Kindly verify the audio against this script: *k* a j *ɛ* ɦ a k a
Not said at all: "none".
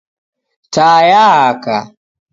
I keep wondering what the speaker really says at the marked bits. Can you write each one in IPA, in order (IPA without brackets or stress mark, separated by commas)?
t, a